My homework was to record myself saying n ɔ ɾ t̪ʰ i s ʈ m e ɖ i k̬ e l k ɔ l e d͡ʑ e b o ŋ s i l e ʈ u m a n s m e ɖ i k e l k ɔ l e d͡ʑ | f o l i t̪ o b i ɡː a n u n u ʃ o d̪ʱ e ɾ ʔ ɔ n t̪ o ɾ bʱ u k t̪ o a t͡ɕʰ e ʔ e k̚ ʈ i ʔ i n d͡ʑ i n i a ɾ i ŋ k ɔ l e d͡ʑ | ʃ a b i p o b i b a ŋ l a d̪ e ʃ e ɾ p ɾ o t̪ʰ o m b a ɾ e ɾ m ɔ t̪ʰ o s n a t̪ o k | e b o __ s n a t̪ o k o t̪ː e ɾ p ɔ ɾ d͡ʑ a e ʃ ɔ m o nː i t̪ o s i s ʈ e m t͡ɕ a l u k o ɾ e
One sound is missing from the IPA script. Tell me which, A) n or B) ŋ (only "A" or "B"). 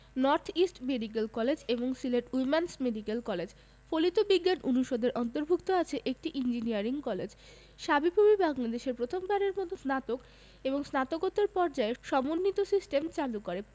B